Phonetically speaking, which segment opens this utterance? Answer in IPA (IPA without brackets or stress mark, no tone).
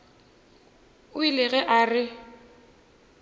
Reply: ʊ